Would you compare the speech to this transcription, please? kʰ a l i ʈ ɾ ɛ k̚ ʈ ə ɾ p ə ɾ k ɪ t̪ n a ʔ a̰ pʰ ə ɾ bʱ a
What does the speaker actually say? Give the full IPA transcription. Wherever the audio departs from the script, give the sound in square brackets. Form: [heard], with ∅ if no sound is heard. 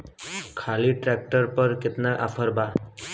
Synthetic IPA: kʰ a l i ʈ ɾ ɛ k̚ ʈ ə ɾ p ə ɾ k ɪ t̪ n a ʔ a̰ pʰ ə ɾ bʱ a